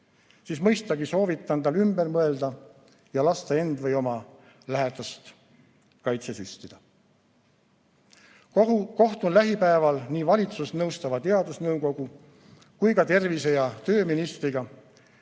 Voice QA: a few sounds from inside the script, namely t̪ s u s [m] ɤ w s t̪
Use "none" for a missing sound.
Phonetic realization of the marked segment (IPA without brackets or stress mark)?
n